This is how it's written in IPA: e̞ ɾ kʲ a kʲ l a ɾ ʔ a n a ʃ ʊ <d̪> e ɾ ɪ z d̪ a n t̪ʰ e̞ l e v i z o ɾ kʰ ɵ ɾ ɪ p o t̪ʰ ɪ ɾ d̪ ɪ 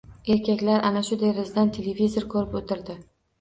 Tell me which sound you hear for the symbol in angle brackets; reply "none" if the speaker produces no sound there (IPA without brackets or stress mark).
d̪